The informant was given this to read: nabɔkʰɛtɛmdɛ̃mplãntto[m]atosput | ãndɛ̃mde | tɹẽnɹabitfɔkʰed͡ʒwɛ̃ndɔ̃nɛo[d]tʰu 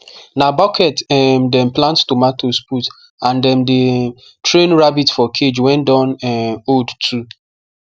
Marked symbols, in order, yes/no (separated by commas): yes, yes